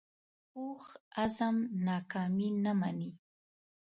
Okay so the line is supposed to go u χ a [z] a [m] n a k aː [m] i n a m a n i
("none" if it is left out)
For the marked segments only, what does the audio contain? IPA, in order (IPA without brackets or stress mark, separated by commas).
z, m, m